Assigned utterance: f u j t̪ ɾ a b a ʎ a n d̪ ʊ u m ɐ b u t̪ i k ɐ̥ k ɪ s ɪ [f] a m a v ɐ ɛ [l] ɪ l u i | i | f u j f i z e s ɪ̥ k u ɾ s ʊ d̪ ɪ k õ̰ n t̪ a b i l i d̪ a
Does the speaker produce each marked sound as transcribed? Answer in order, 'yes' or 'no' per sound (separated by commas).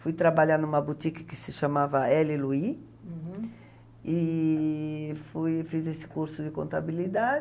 no, yes